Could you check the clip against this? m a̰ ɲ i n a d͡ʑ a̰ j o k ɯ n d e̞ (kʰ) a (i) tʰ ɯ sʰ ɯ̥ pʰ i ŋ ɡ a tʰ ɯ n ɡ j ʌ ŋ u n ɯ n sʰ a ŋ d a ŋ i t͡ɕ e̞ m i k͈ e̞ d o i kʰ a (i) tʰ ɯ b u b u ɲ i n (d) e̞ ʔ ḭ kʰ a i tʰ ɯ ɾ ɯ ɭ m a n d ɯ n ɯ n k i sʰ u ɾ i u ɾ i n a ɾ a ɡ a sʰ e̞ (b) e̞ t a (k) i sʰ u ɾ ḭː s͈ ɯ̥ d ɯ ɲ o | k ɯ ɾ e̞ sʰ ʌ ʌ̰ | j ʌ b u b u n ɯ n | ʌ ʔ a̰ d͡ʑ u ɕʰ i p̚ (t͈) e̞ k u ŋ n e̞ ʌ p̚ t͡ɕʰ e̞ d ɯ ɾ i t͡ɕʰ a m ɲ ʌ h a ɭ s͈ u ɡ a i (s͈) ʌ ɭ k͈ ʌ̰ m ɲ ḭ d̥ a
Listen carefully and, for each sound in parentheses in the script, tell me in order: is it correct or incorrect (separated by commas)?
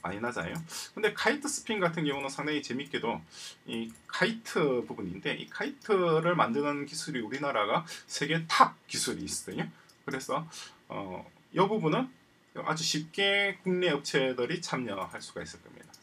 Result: correct, correct, correct, correct, incorrect, correct, incorrect, correct